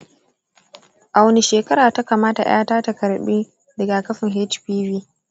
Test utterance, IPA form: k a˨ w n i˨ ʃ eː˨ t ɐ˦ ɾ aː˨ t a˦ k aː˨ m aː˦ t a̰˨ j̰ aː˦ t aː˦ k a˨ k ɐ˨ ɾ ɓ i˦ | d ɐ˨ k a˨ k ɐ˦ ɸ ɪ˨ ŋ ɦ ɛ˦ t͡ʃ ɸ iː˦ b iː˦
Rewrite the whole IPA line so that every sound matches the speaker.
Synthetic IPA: ʔ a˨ w n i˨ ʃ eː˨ k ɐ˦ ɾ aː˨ t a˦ k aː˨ m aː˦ t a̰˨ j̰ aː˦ t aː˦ t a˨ k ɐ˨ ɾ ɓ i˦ | d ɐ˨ ɡ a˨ k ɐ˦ ɸ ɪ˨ ŋ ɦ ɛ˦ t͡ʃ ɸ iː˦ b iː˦